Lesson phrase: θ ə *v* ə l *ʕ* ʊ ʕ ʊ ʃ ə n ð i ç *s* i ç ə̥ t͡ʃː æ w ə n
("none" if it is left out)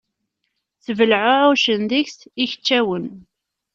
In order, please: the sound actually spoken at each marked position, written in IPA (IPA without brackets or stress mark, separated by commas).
v, ʕ, s